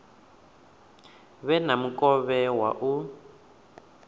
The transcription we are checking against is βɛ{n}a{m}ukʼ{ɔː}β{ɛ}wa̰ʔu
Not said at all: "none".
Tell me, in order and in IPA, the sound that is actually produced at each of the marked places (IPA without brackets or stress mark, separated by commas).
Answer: n, m, ɔ, ɛ